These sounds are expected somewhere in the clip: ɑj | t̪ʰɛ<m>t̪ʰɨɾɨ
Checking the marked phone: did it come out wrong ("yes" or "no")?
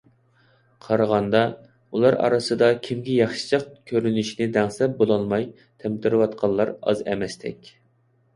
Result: no